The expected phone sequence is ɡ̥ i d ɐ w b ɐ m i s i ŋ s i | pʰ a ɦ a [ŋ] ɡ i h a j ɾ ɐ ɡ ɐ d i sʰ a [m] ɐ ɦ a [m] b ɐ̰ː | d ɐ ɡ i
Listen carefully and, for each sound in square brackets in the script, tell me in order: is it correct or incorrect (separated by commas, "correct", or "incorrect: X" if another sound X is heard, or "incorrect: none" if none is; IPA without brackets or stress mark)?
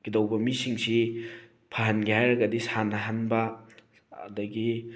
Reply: incorrect: n, incorrect: n, incorrect: n